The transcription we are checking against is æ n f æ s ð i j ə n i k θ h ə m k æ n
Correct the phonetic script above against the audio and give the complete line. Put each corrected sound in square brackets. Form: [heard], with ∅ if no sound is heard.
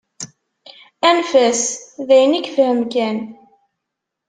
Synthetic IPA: æ n f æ s ð [æ] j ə n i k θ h ə m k æ n